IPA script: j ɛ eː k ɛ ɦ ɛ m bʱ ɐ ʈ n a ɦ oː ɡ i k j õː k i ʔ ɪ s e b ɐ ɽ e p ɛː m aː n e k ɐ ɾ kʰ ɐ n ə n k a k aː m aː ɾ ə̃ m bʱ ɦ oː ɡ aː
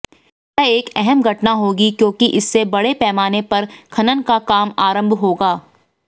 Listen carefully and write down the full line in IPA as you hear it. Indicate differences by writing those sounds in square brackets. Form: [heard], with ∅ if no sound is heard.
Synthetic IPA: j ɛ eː k ɛ ɦ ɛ m [ɡʱ] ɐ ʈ n a ɦ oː ɡ i k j õː k i ʔ ɪ [sː] e b ɐ ɽ e p ɛː m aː n e [p] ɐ ɾ kʰ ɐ n ə n k a k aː m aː ɾ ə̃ m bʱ ɦ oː ɡ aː